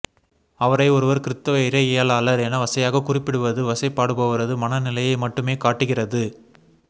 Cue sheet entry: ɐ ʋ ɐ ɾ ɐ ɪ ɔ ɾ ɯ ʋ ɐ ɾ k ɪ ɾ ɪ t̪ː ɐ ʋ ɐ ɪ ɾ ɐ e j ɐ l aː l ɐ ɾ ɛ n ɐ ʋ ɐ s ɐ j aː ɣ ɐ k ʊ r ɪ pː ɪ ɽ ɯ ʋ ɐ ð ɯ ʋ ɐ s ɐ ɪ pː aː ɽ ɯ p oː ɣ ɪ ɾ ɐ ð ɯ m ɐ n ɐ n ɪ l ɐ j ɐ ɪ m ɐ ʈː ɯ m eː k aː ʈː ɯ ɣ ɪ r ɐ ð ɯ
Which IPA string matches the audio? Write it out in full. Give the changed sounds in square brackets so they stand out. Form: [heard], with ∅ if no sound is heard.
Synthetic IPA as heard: ɐ ʋ ɐ ɾ ɐ ɪ ɔ ɾ ɯ ʋ ɐ ɾ k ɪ ɾ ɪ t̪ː ɐ ʋ ɐ ɪ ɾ ɐ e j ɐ l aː l ɐ ɾ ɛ n ɐ ʋ ɐ s ɐ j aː ɣ ɐ k ʊ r ɪ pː ɪ ɽ ɯ ʋ ɐ ð ɯ ʋ ɐ s ɐ ɪ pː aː ɽ ɯ p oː ɣ ɪ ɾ ɐ ð ɯ m ɐ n ɐ n ɪ l ɐ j ɐ ɪ m ɐ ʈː ɯ m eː k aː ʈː ɯ ɣ ɪ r ɐ ð ɯ